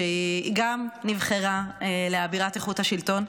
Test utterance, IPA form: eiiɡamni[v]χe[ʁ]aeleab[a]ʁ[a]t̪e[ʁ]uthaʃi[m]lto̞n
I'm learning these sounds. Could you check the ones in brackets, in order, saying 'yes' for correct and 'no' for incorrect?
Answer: yes, yes, no, yes, no, no

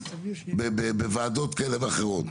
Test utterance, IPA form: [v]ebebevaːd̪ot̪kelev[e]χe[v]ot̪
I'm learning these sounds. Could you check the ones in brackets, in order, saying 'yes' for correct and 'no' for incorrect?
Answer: no, no, no

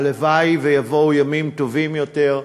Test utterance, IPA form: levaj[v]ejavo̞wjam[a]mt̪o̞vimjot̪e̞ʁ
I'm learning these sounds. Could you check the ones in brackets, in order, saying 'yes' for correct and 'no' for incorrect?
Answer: yes, no

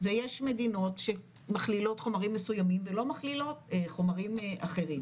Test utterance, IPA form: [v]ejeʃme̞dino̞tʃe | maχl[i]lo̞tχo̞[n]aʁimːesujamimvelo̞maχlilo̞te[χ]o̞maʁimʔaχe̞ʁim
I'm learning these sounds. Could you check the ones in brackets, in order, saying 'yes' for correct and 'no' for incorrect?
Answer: yes, yes, no, yes

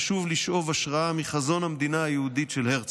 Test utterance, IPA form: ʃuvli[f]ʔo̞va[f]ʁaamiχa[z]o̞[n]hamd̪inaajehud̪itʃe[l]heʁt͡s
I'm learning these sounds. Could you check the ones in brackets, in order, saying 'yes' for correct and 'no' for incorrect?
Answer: no, no, yes, yes, yes

